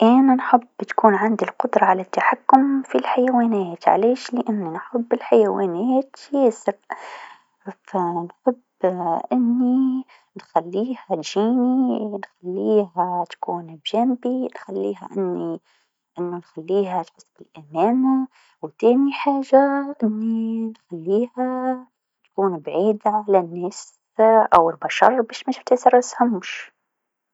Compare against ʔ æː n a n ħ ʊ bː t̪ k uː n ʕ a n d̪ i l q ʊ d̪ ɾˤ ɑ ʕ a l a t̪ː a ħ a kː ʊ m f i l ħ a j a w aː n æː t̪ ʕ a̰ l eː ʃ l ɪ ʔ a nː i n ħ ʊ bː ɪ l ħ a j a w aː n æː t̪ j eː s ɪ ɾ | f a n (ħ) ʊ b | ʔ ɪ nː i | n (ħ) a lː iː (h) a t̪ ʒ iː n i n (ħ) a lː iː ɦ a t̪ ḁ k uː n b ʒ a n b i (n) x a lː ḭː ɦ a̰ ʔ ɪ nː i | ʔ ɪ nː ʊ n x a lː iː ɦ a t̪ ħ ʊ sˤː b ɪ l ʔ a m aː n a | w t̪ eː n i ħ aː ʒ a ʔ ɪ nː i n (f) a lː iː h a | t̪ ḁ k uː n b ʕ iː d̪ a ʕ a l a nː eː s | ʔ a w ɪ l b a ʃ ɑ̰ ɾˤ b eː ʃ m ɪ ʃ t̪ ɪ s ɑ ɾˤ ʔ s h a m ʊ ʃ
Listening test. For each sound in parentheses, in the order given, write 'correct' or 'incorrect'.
correct, incorrect: x, correct, incorrect: x, correct, incorrect: x

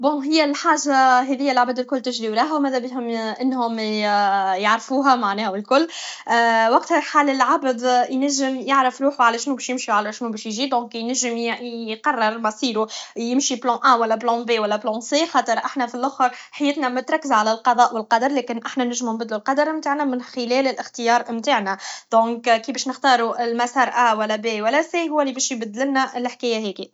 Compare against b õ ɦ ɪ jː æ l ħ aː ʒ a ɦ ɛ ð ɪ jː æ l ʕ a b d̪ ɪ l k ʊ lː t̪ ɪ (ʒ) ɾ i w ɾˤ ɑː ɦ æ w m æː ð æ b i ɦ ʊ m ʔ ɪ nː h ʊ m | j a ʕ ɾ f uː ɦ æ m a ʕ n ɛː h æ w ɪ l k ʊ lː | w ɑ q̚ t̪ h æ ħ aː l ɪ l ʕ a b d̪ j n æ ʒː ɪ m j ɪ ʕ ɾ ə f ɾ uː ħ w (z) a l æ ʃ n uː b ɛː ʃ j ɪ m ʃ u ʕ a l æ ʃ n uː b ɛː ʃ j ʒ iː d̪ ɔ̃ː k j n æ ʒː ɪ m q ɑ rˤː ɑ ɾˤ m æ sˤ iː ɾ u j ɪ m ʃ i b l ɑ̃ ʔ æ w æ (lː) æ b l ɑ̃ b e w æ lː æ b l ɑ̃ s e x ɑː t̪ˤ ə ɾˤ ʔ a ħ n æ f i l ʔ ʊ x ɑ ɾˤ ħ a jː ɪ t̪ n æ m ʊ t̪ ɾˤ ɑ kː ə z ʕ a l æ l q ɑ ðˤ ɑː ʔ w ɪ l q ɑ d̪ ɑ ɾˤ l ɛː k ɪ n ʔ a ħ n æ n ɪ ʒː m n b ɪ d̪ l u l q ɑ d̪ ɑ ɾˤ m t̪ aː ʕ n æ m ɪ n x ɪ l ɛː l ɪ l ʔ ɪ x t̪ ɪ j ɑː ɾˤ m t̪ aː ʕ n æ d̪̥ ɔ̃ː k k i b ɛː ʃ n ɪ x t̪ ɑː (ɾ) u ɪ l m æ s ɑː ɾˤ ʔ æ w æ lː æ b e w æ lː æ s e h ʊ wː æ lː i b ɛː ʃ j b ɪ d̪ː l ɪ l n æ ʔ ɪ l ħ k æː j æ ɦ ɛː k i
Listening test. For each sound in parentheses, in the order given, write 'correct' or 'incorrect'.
correct, incorrect: ʕ, correct, correct

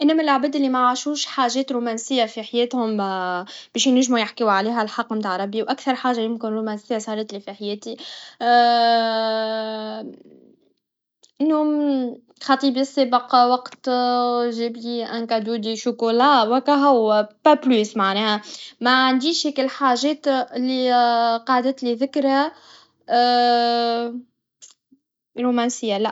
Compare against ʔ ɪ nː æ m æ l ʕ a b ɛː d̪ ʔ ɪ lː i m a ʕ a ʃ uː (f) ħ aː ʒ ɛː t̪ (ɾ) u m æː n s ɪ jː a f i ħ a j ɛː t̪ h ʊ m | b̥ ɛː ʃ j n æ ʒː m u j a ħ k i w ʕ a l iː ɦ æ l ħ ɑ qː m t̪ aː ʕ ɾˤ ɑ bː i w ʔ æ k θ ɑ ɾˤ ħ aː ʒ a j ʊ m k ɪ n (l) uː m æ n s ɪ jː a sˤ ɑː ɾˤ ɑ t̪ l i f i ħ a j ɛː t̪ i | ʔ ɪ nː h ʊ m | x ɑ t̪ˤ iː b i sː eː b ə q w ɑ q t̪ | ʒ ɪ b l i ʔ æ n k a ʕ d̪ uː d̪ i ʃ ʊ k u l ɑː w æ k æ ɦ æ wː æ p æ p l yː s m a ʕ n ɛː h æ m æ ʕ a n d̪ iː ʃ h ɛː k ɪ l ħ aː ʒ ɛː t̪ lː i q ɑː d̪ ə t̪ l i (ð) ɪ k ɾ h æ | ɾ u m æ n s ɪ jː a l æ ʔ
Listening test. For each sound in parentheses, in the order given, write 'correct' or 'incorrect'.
incorrect: ʃ, correct, incorrect: ɾ, correct

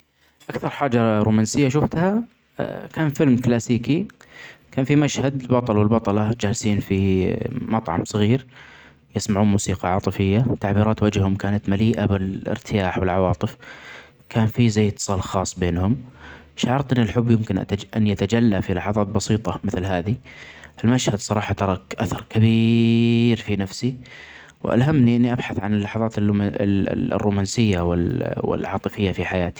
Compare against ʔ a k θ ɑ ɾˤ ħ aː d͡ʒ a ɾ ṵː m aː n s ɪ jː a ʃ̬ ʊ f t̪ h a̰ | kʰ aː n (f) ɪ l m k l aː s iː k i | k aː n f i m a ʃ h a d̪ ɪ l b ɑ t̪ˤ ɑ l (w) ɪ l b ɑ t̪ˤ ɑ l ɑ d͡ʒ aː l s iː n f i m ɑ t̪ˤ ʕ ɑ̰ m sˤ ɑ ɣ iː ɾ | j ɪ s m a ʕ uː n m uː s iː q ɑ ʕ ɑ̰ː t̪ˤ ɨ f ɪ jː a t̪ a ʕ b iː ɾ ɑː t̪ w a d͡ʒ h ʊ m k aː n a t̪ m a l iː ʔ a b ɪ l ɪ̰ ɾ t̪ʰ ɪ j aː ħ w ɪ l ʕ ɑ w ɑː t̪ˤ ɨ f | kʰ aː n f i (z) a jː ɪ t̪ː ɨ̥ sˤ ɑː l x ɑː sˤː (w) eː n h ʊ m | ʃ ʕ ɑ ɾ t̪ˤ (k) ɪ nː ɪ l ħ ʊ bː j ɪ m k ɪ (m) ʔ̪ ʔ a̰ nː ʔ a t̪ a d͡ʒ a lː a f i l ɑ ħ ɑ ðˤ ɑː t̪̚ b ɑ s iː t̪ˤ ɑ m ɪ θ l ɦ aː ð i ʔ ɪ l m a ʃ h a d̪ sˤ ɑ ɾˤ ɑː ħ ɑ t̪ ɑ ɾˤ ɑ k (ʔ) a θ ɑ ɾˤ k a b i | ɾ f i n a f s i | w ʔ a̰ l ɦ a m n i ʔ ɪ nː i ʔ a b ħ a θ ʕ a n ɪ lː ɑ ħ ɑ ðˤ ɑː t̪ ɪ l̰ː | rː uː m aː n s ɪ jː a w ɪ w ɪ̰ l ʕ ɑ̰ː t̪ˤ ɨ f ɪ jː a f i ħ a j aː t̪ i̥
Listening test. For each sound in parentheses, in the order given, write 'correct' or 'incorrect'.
correct, correct, correct, incorrect: b, incorrect: ʔ, incorrect: n, correct

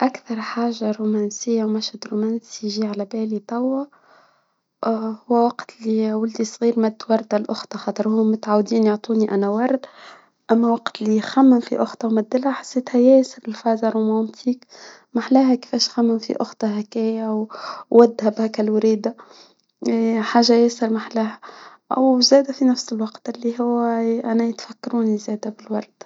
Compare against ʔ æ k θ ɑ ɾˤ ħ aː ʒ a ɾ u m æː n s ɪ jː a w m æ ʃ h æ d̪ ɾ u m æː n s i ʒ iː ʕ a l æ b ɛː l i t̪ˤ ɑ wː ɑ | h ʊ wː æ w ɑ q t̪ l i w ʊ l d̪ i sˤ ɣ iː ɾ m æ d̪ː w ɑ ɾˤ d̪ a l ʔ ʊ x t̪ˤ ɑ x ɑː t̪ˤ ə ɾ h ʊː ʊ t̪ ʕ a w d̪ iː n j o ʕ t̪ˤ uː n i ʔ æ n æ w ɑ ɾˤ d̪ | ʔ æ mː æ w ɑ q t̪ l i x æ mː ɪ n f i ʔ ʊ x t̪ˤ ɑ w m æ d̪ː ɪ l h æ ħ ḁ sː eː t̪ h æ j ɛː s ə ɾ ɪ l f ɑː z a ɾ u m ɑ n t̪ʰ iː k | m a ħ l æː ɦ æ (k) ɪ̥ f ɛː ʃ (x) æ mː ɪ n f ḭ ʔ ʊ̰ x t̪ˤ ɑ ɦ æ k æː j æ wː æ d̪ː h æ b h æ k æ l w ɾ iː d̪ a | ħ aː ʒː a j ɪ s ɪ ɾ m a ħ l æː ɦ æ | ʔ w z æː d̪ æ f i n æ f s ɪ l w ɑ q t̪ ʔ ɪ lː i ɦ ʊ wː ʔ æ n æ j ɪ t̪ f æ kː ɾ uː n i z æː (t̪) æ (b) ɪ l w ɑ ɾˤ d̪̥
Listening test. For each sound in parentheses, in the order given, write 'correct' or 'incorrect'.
correct, correct, incorrect: d̪, correct

